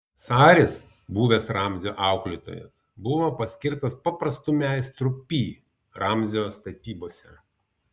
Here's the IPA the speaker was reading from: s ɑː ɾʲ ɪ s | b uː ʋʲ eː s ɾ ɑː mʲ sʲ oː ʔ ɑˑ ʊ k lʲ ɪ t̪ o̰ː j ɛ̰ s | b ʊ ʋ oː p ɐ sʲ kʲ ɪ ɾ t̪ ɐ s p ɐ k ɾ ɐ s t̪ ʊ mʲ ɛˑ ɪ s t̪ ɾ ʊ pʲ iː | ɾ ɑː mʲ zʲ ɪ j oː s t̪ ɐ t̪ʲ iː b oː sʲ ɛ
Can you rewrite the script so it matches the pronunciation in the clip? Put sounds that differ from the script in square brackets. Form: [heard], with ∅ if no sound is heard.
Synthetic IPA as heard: s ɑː ɾʲ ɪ s | b uː ʋʲ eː s ɾ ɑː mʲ [zʲ] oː ʔ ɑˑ ʊ k lʲ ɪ t̪ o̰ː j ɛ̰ s | b ʊ ʋ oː p ɐ sʲ kʲ ɪ ɾ t̪ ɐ s p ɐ [p] ɾ ɐ s t̪ ʊ mʲ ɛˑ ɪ s t̪ ɾ ʊ pʲ iː | ɾ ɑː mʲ zʲ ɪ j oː s t̪ ɐ t̪ʲ iː b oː sʲ ɛ